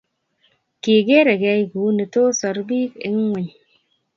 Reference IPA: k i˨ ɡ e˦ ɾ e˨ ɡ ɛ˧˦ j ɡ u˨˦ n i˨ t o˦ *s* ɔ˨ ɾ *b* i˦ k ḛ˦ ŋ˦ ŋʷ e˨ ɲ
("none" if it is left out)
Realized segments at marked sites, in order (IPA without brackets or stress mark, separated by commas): s, b